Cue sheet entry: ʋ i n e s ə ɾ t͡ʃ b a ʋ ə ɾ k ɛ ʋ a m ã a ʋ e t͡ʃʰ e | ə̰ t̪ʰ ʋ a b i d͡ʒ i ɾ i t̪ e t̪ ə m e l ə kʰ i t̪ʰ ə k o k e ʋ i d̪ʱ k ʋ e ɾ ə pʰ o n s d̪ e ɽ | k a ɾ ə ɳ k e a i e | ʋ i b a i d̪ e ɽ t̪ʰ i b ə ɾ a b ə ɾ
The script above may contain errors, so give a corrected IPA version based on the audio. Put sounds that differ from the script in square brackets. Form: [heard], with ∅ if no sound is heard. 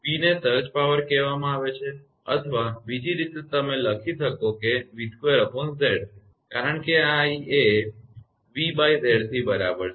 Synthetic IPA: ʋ i n e s ə ɾ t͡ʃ [p] a ʋ ə ɾ k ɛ ʋ a m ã a ʋ e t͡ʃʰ e | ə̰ t̪ʰ ʋ a b i d͡ʒ i ɾ i t̪ e t̪ ə m e l ə kʰ i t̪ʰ ə k o k e ʋ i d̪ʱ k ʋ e ɾ ə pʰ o n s d̪ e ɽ | k a ɾ ə ɳ k e a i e | ʋ i b a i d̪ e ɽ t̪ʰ i b ə ɾ a b ə ɾ